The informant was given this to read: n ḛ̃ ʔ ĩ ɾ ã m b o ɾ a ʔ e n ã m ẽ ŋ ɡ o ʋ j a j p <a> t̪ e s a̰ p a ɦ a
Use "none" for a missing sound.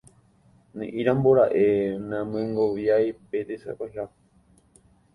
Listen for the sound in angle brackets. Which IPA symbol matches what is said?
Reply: e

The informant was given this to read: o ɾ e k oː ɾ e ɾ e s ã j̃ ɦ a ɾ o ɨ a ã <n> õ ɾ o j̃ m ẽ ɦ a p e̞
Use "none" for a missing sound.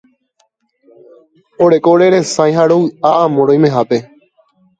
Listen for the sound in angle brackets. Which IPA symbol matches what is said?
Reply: m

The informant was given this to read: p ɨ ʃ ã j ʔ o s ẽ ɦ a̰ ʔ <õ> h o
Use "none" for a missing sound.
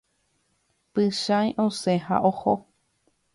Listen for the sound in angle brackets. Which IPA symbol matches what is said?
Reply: o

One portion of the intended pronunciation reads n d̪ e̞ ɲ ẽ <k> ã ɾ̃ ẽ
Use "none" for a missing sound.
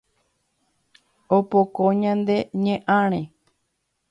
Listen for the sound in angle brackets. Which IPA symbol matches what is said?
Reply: ʔ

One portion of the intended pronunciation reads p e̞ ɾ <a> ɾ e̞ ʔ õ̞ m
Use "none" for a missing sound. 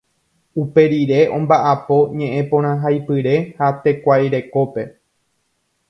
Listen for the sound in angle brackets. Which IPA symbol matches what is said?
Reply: i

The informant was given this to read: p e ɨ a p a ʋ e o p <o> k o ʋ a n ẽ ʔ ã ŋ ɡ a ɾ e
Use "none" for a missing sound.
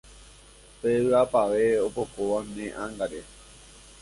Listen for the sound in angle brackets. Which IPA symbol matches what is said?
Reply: o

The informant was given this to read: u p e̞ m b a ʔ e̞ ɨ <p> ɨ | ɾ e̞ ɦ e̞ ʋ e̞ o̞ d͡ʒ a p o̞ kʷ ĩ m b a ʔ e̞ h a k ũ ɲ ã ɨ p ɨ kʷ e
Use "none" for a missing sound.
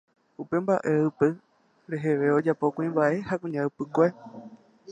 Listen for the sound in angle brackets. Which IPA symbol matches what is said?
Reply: p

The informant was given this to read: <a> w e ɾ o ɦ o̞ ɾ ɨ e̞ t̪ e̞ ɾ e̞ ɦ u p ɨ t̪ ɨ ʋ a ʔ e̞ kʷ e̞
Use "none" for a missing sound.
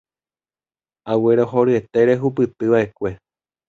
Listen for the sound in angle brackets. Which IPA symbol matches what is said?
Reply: a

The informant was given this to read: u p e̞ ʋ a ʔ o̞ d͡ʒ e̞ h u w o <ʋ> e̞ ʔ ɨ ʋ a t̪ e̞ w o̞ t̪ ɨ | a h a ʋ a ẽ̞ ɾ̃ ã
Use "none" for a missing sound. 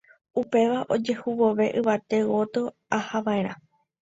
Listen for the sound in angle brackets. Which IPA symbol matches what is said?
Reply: ʋ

